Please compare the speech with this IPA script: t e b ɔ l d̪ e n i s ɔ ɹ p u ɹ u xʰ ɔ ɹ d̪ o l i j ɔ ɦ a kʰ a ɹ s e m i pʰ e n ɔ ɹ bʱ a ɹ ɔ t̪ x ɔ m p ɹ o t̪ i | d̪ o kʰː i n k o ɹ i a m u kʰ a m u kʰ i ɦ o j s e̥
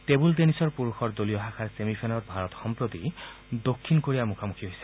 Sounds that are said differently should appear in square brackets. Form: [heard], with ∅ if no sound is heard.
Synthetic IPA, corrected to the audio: t e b [u] l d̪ e n i s ɔ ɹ p u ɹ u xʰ ɔ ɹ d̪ o l i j ɔ ɦ a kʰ a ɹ s e m i pʰ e n ɔ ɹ bʱ a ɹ ɔ t̪ x ɔ m p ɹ o t̪ i | d̪ o kʰː i n k o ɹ i a m u kʰ a m u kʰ i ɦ o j s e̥

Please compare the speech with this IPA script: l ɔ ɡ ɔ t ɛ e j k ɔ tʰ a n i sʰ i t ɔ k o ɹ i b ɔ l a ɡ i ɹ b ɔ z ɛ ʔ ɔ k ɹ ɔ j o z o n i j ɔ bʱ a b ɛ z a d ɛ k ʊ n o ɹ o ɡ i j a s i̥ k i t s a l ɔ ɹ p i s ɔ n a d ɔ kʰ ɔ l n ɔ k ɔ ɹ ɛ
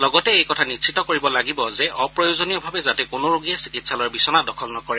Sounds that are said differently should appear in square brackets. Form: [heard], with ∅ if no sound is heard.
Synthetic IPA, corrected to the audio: l ɔ ɡ ɔ t ɛ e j k ɔ tʰ a n i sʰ i t ɔ k o ɹ i b ɔ l a ɡ i [∅] b ɔ z ɛ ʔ ɔ [p] ɹ ɔ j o z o n i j ɔ bʱ a b ɛ z a [t] ɛ k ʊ n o ɹ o ɡ i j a s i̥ k i t s a l ɔ ɹ [b] i s ɔ n a d ɔ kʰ ɔ l n ɔ k ɔ ɹ ɛ

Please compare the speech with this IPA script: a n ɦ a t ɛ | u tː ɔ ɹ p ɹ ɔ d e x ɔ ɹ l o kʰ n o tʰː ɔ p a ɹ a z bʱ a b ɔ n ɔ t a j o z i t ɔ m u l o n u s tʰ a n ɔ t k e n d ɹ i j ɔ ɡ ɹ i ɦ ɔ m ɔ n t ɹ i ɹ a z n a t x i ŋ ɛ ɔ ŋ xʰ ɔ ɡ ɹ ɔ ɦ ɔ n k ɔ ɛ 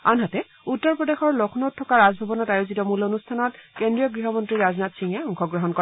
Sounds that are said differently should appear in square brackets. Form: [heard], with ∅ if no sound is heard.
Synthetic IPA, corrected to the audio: a n ɦ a t ɛ | u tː ɔ ɹ p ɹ ɔ d e x ɔ ɹ l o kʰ n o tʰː ɔ [k] a ɹ a z bʱ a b ɔ n ɔ t a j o z i t ɔ m u l o n u s tʰ a n ɔ t k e n d ɹ i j ɔ ɡ ɹ i ɦ ɔ m ɔ n t ɹ i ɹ a z n a t [s] i ŋ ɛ ɔ ŋ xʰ ɔ ɡ ɹ ɔ ɦ ɔ n k ɔ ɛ

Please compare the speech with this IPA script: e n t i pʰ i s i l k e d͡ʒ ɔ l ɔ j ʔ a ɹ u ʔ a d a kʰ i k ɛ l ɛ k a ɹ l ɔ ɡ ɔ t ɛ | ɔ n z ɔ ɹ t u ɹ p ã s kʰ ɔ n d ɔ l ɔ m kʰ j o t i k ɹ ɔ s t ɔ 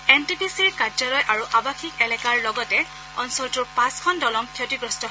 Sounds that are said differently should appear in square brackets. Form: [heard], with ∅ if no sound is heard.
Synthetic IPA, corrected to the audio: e n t i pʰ i s i [ɹ] k [a] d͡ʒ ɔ l ɔ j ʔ a ɹ u ʔ a [b] a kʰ i k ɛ l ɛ k a ɹ l ɔ ɡ ɔ t ɛ | ɔ n [s] ɔ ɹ t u ɹ p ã s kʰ ɔ n d ɔ l ɔ m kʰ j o t i [ɡ] ɹ ɔ s t ɔ

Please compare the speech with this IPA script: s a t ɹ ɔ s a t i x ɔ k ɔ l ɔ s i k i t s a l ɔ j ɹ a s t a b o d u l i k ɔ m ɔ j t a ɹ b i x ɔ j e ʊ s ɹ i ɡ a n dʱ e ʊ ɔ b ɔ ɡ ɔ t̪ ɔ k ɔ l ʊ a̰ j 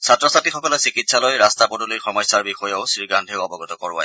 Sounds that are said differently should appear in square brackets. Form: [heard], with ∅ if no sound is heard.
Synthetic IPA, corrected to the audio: s a t ɹ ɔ s a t i x ɔ k ɔ l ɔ s i k i t s a l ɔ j ɹ a s t a [p] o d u l i [x] ɔ m ɔ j [s] a ɹ b i x ɔ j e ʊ s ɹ i ɡ a n dʱ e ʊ ɔ b ɔ ɡ ɔ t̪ ɔ k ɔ [ɹ] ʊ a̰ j

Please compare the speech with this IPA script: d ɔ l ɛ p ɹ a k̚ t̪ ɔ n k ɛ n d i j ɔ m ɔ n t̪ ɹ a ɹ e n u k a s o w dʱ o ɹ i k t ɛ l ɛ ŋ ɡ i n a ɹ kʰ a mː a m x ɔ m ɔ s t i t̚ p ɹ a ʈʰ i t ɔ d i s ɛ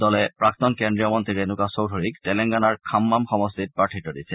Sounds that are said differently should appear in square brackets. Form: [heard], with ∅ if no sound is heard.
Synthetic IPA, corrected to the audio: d ɔ l ɛ p ɹ a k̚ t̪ ɔ n k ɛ n d i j ɔ m ɔ n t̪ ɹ [i] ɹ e n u k a s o w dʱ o ɹ i k t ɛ l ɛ ŋ ɡ [a] n a ɹ kʰ a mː a m x ɔ m ɔ s t i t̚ p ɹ a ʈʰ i t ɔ d i s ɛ

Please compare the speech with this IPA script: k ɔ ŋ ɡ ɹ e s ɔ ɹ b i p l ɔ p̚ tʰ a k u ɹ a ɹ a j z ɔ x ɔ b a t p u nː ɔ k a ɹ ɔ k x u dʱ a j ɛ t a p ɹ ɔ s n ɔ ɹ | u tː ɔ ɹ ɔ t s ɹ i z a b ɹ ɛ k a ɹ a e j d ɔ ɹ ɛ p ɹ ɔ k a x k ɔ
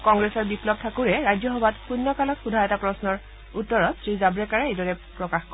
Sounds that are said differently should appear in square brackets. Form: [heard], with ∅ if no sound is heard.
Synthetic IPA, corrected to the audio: k ɔ ŋ ɡ ɹ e s ɔ ɹ b i p l ɔ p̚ tʰ a k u ɹ [ɛ] ɹ a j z ɔ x ɔ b a t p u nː ɔ k a [l] ɔ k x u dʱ a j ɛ t a p ɹ ɔ s n ɔ ɹ | u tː ɔ ɹ ɔ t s ɹ i z a b ɹ ɛ k a ɹ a e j d ɔ ɹ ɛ p ɹ ɔ k a x k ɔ

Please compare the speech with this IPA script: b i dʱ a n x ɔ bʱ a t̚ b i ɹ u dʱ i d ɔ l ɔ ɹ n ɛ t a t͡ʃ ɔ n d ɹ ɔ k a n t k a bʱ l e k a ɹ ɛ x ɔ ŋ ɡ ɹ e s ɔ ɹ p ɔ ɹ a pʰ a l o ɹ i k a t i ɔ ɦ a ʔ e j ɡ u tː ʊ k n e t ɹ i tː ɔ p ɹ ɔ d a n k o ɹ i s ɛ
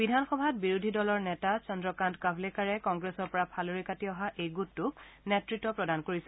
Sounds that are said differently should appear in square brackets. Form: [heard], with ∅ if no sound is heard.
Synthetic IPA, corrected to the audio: b i dʱ a n x ɔ bʱ a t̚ b i ɹ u dʱ i d ɔ l ɔ ɹ n ɛ t a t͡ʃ ɔ n d ɹ ɔ k a n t k a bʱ l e k a ɹ ɛ [k] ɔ ŋ ɡ ɹ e s ɔ ɹ p ɔ ɹ a pʰ a l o ɹ i k a t i ɔ ɦ a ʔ e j ɡ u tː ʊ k n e t ɹ i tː ɔ p ɹ ɔ d a n k o ɹ i s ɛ

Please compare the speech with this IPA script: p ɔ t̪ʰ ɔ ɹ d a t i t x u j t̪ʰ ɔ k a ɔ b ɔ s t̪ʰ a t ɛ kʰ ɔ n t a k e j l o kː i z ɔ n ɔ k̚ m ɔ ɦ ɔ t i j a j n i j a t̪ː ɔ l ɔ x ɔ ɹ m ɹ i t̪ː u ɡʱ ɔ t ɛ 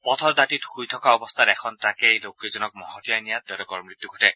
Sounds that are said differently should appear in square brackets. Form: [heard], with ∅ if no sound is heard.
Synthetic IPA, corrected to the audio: p ɔ t̪ʰ ɔ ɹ d a t i t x u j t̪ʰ ɔ k a ɔ b ɔ s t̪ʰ a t ɛ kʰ ɔ n t a k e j l o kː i z ɔ n ɔ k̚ m ɔ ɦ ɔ t i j a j n i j a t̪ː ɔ l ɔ [k] ɔ ɹ m ɹ i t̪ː u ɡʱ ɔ t ɛ

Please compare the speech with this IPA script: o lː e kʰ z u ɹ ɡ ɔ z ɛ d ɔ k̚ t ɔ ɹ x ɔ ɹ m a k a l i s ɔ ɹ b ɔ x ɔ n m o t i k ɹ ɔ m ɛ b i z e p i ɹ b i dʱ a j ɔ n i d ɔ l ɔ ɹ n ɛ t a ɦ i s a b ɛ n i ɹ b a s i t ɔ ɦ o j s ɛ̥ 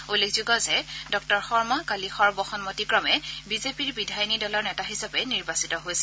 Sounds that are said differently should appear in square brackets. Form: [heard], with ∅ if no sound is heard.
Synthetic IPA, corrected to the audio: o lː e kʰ z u [∅] ɡ ɔ z ɛ d ɔ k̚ t ɔ ɹ x ɔ ɹ m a k a l i [x] ɔ ɹ b ɔ x ɔ n m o t i k ɹ ɔ m ɛ b i z e p i ɹ b i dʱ a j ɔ n i d ɔ l ɔ ɹ n ɛ t a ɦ i s a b ɛ n i ɹ b a s i t ɔ ɦ o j s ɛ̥

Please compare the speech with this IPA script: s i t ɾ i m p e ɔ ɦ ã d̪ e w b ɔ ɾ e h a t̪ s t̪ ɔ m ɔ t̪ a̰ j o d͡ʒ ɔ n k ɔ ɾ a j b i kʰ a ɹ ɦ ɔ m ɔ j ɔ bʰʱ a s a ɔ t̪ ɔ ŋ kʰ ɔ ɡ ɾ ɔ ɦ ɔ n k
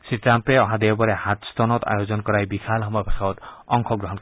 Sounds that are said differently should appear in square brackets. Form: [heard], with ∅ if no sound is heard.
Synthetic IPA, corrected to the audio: s i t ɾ [a] m p e ɔ ɦ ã d̪ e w b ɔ ɾ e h a t̪ s t̪ ɔ [n] ɔ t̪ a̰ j o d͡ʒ ɔ n k ɔ ɾ a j b i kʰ a [l] ɦ ɔ m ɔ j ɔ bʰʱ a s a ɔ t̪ ɔ ŋ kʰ ɔ ɡ ɾ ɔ ɦ ɔ n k

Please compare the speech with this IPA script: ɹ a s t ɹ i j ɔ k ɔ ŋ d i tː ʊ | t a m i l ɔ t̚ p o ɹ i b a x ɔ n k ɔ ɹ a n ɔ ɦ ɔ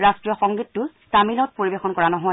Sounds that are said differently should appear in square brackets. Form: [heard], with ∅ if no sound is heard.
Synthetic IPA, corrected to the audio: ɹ a s t ɹ i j ɔ [x] ɔ ŋ [ɡ] i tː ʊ | t a m i l ɔ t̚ p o ɹ i b [e] x ɔ n k ɔ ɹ a n ɔ ɦ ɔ

